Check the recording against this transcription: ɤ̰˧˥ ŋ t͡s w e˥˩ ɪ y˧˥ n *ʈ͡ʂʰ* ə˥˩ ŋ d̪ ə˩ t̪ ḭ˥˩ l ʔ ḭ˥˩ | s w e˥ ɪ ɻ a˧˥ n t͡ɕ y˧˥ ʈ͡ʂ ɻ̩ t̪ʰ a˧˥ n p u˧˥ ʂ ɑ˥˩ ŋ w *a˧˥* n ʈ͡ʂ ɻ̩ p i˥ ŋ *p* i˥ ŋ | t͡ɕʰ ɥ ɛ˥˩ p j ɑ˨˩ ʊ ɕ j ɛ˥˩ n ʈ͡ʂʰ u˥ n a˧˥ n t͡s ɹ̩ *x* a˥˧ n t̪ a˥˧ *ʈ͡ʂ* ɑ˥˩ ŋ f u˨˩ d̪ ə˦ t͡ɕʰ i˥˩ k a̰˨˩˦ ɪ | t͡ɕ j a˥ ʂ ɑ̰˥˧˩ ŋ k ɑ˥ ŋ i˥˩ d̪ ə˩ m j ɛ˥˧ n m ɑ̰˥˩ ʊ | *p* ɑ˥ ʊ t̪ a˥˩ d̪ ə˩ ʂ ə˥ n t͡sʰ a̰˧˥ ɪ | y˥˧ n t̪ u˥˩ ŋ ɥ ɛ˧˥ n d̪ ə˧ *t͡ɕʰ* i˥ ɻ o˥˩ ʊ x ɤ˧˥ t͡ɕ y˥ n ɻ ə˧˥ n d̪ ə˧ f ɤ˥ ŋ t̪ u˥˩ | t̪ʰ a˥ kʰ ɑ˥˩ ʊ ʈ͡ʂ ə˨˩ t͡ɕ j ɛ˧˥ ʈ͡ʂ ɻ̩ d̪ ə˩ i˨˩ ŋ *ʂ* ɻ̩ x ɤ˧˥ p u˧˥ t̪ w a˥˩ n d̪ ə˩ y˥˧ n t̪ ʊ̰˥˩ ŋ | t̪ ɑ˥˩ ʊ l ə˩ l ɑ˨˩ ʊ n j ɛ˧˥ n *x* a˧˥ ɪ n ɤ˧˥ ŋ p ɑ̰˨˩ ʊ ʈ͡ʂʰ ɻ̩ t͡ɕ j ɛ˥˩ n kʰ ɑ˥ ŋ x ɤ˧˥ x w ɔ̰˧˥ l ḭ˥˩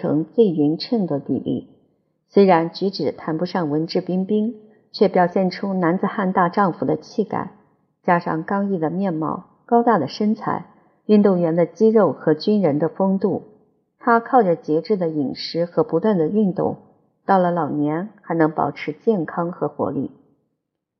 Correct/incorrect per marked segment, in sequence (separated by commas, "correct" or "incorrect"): correct, incorrect, correct, correct, correct, incorrect, incorrect, correct, correct